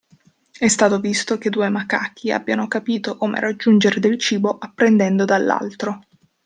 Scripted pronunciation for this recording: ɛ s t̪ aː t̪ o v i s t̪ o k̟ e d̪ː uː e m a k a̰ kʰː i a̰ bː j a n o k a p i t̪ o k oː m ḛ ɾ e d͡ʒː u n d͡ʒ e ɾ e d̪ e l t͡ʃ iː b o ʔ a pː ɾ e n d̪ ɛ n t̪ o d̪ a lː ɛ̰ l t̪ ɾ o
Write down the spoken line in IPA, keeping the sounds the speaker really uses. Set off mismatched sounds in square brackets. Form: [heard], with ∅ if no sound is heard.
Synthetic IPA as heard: ɛ s t̪ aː t̪ o v i s t̪ o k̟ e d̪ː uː e m a k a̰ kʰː i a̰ bː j a n o k a p [iː] t̪ o k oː m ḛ ɾ [a] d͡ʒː u n d͡ʒ e ɾ e d̪ e l t͡ʃ iː b o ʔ a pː ɾ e n d̪ ɛ n [d̪] o d̪ a lː [a̰] l t̪ ɾ o

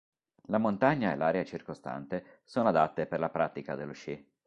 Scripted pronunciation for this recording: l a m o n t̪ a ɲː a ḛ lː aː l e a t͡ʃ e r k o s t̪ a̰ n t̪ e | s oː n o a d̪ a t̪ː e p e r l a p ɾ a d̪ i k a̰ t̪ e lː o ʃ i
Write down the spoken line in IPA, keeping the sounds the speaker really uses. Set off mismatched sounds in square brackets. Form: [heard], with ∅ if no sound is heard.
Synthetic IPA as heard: l a m o n t̪ a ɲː a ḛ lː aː [ɾ] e a t͡ʃ [i] r k o s t̪ a̰ n t̪ e | s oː n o a d̪ a t̪ː e p e r l a p ɾ a [t̪] i k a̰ [d̪] e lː o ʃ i

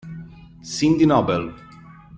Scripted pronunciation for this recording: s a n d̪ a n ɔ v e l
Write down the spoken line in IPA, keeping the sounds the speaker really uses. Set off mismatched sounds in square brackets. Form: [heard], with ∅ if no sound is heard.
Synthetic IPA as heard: s [i] n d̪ [i] n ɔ [b] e l

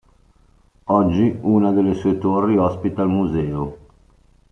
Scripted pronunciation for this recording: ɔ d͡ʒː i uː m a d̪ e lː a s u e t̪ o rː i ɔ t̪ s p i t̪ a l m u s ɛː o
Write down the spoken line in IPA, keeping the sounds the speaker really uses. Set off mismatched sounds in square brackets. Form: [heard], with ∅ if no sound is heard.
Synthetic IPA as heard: ɔ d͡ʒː i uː [n] a d̪ e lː [e] s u e t̪ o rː i ɔ [∅] s p i t̪ a l m u [z] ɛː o

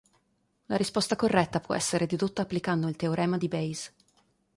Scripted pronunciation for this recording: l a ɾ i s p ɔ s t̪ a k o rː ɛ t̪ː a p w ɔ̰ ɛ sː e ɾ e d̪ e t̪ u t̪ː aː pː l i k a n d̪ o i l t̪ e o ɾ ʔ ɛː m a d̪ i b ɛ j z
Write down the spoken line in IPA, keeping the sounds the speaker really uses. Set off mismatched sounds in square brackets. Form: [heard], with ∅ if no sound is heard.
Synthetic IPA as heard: l a ɾ i s p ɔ s t̪ a k o rː ɛ t̪ː a p w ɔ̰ ɛ sː e ɾ e d̪ e [d̪] u t̪ː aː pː l i k a n d̪ o i l t̪ e o ɾ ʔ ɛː m a d̪ i b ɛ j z

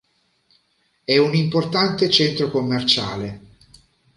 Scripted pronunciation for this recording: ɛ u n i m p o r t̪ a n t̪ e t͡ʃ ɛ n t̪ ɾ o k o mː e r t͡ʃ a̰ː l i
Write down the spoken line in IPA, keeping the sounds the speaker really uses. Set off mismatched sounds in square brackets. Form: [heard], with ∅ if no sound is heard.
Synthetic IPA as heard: ɛ u n i m p o r t̪ a n t̪ e t͡ʃ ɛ n t̪ ɾ o k o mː e r t͡ʃ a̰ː l [e]

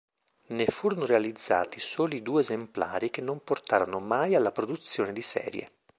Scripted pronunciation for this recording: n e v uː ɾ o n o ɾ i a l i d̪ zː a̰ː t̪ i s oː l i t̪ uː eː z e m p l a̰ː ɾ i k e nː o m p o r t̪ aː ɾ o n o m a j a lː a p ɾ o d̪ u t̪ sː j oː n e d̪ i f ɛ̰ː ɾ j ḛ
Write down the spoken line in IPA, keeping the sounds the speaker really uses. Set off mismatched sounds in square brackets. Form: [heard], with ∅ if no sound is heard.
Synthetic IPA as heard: n e [f] uː ɾ o n o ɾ [e] a l i d̪ zː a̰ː t̪ i s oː l i [d̪] uː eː z e m p l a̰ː ɾ i k e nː o m p o r t̪ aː ɾ o n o m a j a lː a p ɾ o d̪ u t̪ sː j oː n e d̪ i [s] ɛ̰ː ɾ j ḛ

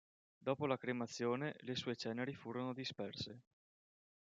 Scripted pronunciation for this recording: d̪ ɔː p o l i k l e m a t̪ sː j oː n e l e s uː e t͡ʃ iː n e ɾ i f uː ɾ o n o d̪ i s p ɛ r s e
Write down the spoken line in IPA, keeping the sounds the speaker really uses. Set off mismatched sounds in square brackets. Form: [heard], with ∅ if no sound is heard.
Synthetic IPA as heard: d̪ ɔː p o l [a] k [ɾ] e m a t̪ sː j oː n e l e s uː e t͡ʃ [ɛː] n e ɾ i f uː ɾ o n o d̪ i s p ɛ r s e

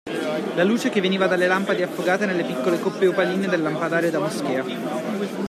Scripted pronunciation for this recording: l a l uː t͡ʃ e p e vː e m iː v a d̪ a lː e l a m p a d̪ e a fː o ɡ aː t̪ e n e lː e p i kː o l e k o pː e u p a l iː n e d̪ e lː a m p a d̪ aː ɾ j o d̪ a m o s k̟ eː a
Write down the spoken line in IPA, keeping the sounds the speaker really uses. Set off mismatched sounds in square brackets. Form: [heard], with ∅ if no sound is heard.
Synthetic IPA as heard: l a l uː t͡ʃ e [k] e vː e [n] iː v a d̪ a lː e l a m p a d̪ e a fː o ɡ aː t̪ e n e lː e p i kː o l e k o pː e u p a l iː n e d̪ e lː a m p a d̪ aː ɾ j o d̪ a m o s k̟ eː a

